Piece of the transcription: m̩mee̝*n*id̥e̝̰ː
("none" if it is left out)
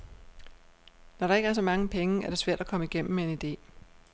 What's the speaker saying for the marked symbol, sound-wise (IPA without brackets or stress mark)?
n